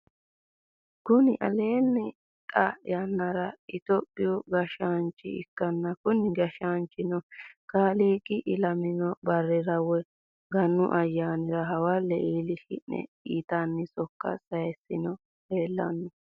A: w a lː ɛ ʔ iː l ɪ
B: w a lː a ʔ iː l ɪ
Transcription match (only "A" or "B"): A